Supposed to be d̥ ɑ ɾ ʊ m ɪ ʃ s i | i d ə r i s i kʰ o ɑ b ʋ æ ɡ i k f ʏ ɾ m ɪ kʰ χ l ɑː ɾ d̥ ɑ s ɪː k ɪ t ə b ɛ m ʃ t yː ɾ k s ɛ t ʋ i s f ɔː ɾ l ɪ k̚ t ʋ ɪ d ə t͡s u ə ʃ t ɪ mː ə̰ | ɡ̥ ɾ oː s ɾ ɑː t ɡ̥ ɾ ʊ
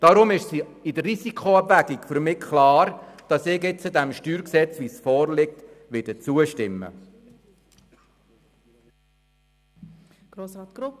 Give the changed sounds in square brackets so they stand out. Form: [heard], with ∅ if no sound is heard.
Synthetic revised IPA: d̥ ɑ ɾ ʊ m ɪ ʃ s i | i d ə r i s i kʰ o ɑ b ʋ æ ɡ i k f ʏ ɾ m ɪ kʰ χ l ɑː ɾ d̥ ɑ s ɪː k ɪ [t͡s] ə [d] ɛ m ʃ t yː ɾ k s ɛ [t͡s] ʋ i s f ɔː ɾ l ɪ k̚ t ʋ ɪ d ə t͡s u ə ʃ t ɪ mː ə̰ | ɡ̥ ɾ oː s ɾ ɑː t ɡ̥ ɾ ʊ